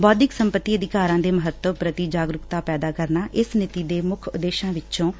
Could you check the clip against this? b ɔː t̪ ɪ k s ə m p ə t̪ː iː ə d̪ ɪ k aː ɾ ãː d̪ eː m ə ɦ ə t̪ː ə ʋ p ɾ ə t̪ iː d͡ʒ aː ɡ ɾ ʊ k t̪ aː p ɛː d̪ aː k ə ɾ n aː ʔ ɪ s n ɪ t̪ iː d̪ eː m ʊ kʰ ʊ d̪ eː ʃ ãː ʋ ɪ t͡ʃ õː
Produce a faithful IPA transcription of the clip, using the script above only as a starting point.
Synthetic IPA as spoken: b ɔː d̪ ɪ k s ə m p ə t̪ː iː ə d̪ ɪ k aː ɾ ãː d̪ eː m ə ɦ ə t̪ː ə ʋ p ɾ ə t̪ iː d͡ʒ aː ɡ ɾ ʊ k t̪ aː p ɛː d̪ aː k ə ɾ n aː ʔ ɪ s n ɪ t̪ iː d̪ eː m ʊ kʰ ʊ d̪ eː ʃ ãː ʋ ɪ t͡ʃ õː

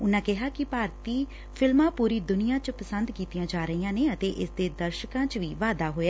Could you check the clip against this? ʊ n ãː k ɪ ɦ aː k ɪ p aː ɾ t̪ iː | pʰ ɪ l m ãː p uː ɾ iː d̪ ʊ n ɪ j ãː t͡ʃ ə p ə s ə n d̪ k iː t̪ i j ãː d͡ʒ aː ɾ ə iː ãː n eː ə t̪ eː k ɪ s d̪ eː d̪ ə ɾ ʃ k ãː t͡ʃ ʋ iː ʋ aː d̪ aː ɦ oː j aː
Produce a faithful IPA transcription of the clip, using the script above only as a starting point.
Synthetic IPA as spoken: ʊ n ãː k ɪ ɦ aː k ɪ p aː ɾ t̪ iː | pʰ ɪ l m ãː p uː ɾ iː d̪ ʊ n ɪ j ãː t͡ʃ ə p ə s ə n d̪ k iː t̪ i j ãː d͡ʒ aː ɾ ə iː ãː n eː ə t̪ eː ʔ ɪ s d̪ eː d̪ ə ɾ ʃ k ãː t͡ʃ ʋ iː ʋ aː d̪ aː ɦ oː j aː

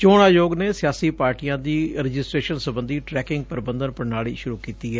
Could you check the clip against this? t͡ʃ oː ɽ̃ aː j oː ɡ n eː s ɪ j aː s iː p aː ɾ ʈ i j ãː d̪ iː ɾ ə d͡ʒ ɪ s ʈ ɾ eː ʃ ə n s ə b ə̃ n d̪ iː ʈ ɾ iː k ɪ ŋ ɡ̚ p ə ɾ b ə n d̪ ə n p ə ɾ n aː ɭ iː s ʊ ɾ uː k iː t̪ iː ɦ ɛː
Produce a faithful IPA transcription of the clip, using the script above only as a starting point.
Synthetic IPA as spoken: t͡ʃ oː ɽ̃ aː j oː ɡ n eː s ɪ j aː s iː p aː ɾ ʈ i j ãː d̪ iː ɾ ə d͡ʒ ɪ s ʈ ɾ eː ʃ ə n s ə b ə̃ n d̪ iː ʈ ɾ ɛː k ɪ ŋ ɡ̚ p ə ɾ b ə n d̪ ə n p ə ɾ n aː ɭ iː ʃ ʊ ɾ uː k iː t̪ iː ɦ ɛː

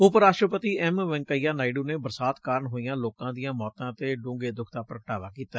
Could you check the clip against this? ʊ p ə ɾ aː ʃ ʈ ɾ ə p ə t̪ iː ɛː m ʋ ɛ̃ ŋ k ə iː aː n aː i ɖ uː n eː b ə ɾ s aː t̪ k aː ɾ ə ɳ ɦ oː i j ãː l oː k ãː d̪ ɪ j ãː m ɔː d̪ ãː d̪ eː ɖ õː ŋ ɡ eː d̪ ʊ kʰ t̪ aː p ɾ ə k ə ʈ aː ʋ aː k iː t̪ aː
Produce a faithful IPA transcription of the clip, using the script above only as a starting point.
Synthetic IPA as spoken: ʊ p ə ɾ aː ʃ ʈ ɾ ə p ə t̪ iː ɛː m ʋ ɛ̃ ŋ k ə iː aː n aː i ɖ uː n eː b ə ɾ s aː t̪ k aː ɾ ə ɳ ɦ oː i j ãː l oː k ãː d̪ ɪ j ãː m ɔː t̪ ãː t̪ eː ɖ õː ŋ ɡ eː d̪ ʊ kʰ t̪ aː p ɾ ə k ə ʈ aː ʋ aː k iː t̪ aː

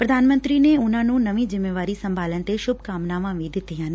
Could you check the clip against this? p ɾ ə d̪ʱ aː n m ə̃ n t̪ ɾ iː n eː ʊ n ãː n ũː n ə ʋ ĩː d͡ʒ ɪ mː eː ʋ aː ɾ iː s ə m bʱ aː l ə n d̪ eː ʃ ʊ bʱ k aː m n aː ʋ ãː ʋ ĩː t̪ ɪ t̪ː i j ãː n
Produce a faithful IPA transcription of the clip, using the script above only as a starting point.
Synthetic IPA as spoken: p ɾ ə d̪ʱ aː n m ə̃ n t̪ ɾ iː n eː ʊ n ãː n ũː n ə ʋ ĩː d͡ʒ ɪ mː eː ʋ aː ɾ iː s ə m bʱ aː l ə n t̪ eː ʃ ʊ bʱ k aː m n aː ʋ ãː ʋ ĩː d̪ ɪ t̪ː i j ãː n

